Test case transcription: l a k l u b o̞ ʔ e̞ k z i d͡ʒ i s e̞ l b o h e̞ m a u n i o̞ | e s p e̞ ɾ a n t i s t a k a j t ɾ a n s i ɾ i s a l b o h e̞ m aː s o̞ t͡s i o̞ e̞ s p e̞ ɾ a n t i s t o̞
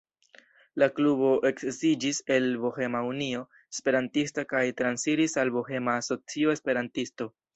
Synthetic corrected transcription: l a k l u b o̞ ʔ e̞ k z i d͡ʒ i s e̞ l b o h e̞ m a u n i o̞ | e s p e̞ ɾ a n t i s t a k a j t ɾ a n s i ɾ i s a l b o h e̞ m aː s o̞ t͡s i o̞ e̞ s p e̞ ɾ a n t i s t o̞

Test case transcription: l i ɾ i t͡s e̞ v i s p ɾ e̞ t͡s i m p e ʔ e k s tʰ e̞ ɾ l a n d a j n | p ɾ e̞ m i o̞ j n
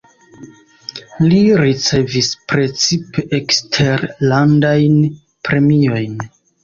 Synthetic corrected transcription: l i ɾ i t͡s e̞ v i s p ɾ e̞ t͡s i p e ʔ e k s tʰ e̞ ɾ l a n d a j n | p ɾ e̞ m i o̞ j n

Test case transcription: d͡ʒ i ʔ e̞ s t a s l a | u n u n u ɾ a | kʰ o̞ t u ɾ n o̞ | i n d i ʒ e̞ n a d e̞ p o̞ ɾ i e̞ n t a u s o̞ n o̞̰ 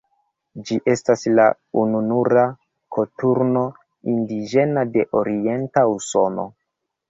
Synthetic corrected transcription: d͡ʒ i ʔ e̞ s t a s l a | u n u n u ɾ a | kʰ o̞ t u ɾ n o̞ | i n d i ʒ e̞ n a d e̞ ʔ o̞ ɾ i e̞ n t a u s o̞ n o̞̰

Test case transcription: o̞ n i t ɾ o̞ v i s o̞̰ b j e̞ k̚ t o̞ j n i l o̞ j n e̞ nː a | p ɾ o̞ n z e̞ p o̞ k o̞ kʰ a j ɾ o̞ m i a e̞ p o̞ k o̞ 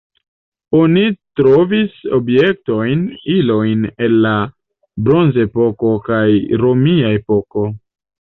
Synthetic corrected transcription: o̞ n i t ɾ o̞ v i s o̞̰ b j e̞ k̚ t o̞ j n i l o̞ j n e̞ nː a | b ɾ o̞ n z e̞ p o̞ k o̞ k a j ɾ o̞ m i a e̞ p o̞ k o̞

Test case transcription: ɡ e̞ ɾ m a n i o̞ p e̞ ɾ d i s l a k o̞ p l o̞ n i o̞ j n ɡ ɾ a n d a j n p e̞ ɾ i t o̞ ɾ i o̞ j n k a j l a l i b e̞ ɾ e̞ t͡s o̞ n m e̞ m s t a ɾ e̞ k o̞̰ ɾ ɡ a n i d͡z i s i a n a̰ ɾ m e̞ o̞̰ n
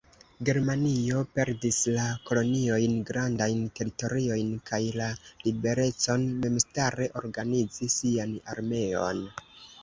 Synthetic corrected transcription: ɡ e̞ ɾ m a n i o̞ p e̞ ɾ d i s l a k o̞ l o̞ n i o̞ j n ɡ ɾ a n d a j n t e̞ ɾ i t o̞ ɾ i o̞ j n k a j l a l i b e̞ ɾ e̞ t͡s o̞ n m e̞ m s t a ɾ e̞ ʔ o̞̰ ɾ ɡ a n i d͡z i s i a n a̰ ɾ m e̞ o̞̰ n

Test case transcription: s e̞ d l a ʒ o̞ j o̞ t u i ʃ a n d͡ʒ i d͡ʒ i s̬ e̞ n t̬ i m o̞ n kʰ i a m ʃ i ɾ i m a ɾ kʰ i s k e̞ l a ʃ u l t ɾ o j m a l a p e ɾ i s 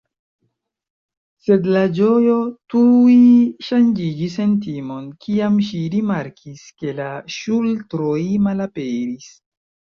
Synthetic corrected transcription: s e̞ d l a d͡ʒ o̞ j o̞ t u i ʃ a n d͡ʒ i d͡ʒ i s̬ e̞ n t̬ i m o̞ n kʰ i a m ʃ i ɾ i m a ɾ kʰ i s k e̞ l a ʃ u l t ɾ o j m a l a p e ɾ i s

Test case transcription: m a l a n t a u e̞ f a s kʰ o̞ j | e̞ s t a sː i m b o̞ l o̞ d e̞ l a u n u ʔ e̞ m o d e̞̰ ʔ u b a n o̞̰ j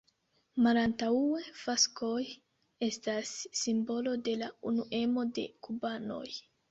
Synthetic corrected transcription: m a l a n t a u e̞ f a s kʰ o̞ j | e̞ s t a sː i m b o̞ l o̞ d e̞ l a u n u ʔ e̞ m o d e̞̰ k u b a n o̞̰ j

